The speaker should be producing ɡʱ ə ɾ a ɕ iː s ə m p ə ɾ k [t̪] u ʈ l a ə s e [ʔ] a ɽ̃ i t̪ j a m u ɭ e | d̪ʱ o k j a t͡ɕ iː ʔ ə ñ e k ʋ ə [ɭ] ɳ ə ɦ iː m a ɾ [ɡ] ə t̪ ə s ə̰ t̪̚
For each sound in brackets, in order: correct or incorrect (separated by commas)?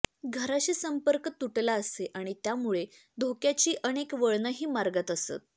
correct, correct, correct, correct